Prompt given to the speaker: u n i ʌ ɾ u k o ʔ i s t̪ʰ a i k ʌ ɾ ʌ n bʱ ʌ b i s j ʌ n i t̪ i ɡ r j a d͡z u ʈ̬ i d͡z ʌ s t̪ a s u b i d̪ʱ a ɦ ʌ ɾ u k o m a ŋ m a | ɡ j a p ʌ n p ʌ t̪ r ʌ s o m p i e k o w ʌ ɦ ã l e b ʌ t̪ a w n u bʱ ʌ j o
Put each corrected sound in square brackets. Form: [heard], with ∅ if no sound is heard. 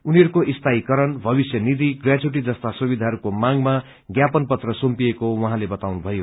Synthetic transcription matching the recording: u n i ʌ ɾ u k o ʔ i s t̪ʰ a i k ʌ ɾ ʌ n bʱ ʌ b i s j ʌ n i [d̪] i ɡ r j a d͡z u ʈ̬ i d͡z ʌ s t̪ a s u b i d̪ʱ a ɦ ʌ ɾ u k o m a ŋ m a | ɡ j a p ʌ n p ʌ t̪ r ʌ s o m p i e k o w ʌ ɦ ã l e b ʌ t̪ a w n u bʱ ʌ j o